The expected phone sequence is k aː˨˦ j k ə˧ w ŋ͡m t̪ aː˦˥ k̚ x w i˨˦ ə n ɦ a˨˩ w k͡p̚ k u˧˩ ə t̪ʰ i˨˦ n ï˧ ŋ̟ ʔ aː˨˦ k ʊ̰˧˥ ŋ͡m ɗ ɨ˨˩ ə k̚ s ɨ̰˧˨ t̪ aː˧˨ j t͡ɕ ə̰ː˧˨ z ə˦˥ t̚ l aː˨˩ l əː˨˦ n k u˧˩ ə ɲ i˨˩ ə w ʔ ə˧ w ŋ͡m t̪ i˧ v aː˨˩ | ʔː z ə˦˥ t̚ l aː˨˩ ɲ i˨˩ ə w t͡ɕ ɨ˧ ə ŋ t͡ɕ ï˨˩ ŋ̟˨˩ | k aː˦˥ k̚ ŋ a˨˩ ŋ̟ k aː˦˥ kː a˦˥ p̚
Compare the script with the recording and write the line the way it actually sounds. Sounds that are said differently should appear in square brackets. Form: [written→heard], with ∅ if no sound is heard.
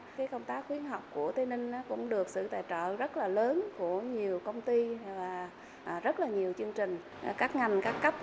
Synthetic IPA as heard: k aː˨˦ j k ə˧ w ŋ͡m t̪ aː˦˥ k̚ x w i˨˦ ə n ɦ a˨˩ w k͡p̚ k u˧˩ ə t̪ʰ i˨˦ n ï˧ ŋ̟ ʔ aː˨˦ k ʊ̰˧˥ ŋ͡m ɗ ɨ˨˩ ə k̚ s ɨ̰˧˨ t̪ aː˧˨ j t͡ɕ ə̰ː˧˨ z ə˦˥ t̚ l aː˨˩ l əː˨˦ n k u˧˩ ə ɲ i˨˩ ə w [ʔ→k] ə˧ w ŋ͡m t̪ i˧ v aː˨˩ | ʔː z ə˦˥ t̚ l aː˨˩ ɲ i˨˩ ə w t͡ɕ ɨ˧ ə ŋ t͡ɕ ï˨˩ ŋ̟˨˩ | k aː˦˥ k̚ ŋ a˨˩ ŋ̟ k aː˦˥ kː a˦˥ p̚